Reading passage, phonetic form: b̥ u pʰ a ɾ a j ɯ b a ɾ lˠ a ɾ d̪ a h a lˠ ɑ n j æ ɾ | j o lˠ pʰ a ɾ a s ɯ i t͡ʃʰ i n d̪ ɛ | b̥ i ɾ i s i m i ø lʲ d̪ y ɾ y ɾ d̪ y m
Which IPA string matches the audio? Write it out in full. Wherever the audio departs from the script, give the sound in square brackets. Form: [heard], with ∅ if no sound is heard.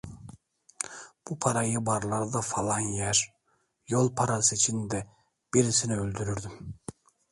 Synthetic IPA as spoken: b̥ u pʰ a ɾ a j ɯ b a ɾ lˠ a ɾ d̪ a [f] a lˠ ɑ n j æ ɾ | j o lˠ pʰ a ɾ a s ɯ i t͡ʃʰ i n d̪ ɛ | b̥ i ɾ i s i [n] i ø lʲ d̪ y ɾ y ɾ d̪ y m